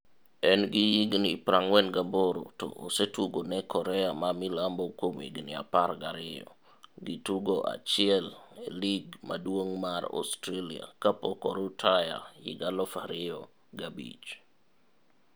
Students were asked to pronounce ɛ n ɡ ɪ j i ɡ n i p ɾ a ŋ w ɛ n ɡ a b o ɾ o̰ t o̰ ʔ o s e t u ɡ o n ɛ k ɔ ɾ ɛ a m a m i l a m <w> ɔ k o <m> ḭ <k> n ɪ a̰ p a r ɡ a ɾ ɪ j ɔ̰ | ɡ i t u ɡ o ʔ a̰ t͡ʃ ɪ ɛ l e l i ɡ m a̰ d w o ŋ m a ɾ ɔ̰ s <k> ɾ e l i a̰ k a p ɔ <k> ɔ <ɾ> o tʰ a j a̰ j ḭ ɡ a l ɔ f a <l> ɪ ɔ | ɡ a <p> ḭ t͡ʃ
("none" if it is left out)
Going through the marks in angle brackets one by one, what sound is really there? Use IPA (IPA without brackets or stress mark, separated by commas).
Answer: b, m, ɡ, t, k, ɾ, ɾ, b